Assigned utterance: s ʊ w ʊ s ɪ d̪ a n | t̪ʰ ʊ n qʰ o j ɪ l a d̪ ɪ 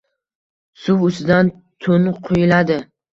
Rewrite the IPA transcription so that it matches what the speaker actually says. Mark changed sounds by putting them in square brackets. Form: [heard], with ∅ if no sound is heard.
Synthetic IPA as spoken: s ʊ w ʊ s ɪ d̪ a n | t̪ʰ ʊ n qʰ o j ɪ l a d̪ ɪ